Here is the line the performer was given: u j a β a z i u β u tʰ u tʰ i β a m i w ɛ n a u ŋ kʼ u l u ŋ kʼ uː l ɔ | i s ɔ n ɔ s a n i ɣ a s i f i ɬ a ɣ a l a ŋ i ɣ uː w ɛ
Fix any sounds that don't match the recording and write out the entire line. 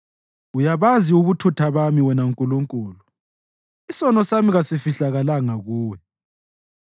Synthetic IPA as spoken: u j a β a z i u β u tʰ u tʰ a β a m i w ɛ n a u ŋ kʼ u l u ŋ kʼ uː l u | i s ɔ n ɔ s a m i ɣ a s i f i ɬ a ɣ a l a ŋ a ɣ uː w ɛ